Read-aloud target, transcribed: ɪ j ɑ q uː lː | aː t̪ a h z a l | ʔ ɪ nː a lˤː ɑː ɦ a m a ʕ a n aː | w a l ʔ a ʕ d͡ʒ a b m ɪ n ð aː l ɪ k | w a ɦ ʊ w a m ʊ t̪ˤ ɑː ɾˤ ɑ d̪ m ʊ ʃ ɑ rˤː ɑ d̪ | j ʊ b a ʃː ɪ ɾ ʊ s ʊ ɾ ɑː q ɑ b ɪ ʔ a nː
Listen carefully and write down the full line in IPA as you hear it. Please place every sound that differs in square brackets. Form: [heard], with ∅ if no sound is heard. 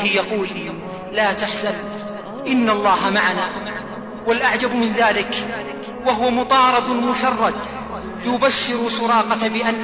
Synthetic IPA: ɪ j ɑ q uː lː | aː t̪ a [ħ] z a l | ʔ ɪ nː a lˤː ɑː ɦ a m a ʕ a n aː | w a l ʔ a ʕ d͡ʒ a b m ɪ n ð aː l ɪ k | w a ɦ ʊ w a m ʊ t̪ˤ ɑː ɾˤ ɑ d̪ m ʊ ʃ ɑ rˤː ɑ d̪ | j ʊ b a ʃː ɪ ɾ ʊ s ʊ ɾ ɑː q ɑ b ɪ ʔ a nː